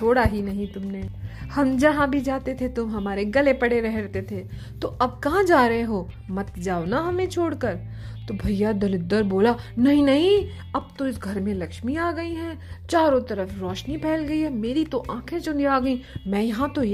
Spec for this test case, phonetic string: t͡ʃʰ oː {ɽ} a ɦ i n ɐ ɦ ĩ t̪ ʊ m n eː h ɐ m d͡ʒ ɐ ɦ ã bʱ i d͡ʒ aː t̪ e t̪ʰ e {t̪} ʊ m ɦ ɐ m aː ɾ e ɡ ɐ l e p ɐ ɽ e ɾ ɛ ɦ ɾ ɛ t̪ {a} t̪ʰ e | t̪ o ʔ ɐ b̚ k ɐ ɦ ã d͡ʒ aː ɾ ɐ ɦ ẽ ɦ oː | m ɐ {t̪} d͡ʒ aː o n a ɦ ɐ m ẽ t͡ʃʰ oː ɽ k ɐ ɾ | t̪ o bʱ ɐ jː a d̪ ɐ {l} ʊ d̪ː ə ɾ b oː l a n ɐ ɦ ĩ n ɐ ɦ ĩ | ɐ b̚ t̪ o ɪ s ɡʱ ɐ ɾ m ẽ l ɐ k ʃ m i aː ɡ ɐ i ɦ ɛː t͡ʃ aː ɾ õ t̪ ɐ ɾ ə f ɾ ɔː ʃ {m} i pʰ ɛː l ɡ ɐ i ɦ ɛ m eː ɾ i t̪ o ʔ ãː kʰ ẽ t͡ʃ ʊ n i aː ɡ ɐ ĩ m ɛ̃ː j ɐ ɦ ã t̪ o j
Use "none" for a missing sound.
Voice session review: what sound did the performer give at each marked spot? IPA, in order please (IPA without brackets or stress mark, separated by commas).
ɽ, t̪, e, t̪, l, n